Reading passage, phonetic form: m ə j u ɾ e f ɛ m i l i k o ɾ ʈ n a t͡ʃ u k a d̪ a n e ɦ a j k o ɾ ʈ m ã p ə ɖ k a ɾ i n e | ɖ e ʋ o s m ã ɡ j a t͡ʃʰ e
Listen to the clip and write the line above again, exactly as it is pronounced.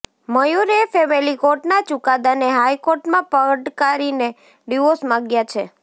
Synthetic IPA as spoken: m ə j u ɾ e f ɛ m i l i k o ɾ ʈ n a t͡ʃ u k a d̪ a n e ɦ a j k o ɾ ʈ m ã p ə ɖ k a ɾ i n e | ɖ i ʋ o s m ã ɡ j a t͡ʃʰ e